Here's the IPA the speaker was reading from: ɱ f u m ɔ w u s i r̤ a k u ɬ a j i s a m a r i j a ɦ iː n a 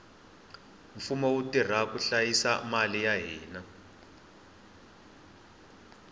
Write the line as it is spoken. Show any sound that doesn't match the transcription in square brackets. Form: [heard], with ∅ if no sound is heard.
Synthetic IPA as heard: ɱ f u m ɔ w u [t] i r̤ a k u ɬ a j i s a m a [l] i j a ɦ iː n a